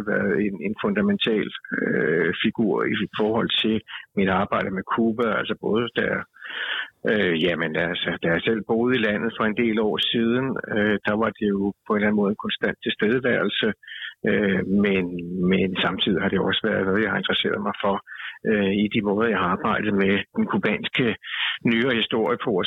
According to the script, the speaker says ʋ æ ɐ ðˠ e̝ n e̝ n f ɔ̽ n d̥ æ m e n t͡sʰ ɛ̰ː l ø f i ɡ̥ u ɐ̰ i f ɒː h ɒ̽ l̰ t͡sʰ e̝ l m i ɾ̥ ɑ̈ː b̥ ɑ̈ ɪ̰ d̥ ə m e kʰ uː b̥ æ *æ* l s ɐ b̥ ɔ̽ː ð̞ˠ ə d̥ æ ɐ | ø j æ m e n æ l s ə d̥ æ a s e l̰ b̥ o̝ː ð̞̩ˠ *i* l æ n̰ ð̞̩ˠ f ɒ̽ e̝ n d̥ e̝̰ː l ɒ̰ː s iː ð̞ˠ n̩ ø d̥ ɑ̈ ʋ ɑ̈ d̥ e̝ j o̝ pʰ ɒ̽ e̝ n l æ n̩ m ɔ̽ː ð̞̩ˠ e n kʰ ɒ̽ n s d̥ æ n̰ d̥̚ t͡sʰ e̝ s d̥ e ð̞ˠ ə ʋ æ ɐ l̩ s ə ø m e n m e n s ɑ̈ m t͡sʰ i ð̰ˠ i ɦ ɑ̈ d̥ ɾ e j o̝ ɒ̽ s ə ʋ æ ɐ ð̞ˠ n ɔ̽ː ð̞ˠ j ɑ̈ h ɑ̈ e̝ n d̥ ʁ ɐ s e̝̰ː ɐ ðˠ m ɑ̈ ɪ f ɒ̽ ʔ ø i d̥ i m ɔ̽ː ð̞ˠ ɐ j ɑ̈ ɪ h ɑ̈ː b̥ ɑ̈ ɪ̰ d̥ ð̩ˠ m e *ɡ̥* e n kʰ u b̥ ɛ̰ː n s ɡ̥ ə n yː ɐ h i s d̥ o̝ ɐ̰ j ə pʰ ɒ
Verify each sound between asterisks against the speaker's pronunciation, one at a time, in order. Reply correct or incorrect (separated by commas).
correct, correct, incorrect